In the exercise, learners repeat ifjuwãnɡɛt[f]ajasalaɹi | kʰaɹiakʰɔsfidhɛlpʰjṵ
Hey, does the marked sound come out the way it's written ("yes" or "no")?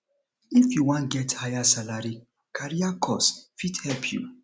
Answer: no